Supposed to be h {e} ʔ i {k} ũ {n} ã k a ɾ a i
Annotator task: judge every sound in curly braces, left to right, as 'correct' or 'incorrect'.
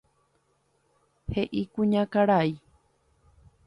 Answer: correct, correct, incorrect: ɲ

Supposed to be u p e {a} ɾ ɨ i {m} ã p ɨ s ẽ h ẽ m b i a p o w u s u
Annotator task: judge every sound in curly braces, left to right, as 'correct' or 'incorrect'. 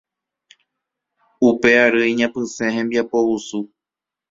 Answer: correct, incorrect: ɲ

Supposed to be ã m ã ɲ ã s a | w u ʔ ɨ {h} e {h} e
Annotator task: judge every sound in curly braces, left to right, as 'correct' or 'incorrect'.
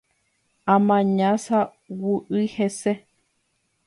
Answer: correct, incorrect: s

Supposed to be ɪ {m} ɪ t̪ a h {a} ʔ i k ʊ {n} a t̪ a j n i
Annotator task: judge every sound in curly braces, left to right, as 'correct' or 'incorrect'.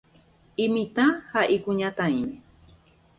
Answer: correct, correct, incorrect: ɲ

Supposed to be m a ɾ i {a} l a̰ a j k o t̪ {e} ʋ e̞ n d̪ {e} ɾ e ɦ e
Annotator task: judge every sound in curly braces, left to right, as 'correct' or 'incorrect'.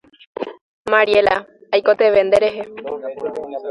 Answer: incorrect: e, correct, correct

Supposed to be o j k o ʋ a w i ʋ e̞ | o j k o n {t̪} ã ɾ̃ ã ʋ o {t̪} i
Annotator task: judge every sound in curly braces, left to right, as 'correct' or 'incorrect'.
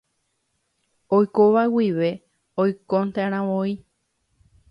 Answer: correct, incorrect: none

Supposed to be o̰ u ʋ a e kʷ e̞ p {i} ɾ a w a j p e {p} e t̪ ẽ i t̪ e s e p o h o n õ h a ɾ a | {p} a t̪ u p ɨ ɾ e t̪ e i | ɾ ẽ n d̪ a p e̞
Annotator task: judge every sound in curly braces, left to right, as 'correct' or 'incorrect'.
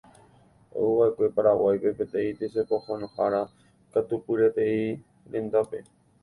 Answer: incorrect: a, correct, incorrect: k

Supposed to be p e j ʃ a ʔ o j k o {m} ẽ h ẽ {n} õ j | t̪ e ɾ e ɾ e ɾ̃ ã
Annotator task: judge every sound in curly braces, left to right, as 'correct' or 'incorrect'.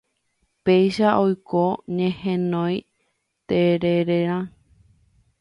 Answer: incorrect: ɲ, correct

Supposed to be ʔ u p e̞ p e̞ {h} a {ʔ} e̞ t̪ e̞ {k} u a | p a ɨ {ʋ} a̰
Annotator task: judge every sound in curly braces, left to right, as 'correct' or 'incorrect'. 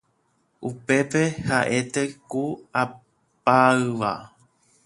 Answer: correct, correct, correct, correct

